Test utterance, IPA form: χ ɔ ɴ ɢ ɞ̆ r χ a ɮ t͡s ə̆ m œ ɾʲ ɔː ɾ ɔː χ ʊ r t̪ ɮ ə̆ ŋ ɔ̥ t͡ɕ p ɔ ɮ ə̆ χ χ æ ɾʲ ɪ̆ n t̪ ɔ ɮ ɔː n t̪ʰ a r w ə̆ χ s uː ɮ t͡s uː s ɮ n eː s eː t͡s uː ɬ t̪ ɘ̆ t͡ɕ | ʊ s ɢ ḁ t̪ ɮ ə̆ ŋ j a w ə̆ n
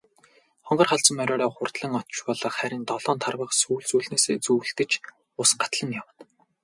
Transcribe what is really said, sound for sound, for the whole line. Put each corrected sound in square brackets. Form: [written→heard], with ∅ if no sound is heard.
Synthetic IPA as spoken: χ ɔ ɴ ɢ ɞ̆ r χ a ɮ t͡s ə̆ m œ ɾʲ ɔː ɾ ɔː χ ʊ r t̪ ɮ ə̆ ŋ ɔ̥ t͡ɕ p ɔ ɮ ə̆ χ χ æ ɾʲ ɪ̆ n t̪ ɔ ɮ ɔː n t̪ʰ a r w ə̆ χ s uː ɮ t͡s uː [s→∅] ɮ n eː s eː t͡s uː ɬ t̪ ɘ̆ t͡ɕ | ʊ s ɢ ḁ t̪ ɮ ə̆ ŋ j a w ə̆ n